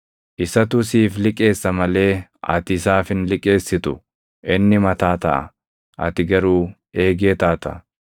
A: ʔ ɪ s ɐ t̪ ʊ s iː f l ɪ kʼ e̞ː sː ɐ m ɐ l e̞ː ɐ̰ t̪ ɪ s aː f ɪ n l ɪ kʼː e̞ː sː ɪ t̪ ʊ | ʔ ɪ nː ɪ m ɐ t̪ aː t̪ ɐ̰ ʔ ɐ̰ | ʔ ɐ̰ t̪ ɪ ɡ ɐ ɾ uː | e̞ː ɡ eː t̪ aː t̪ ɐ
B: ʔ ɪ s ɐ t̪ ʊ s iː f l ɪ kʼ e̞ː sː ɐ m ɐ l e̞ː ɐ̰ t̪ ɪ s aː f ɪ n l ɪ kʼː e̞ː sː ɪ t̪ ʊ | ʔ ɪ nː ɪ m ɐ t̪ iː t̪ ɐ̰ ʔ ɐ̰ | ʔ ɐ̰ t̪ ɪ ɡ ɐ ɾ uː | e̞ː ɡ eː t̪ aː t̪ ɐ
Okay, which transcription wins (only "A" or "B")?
A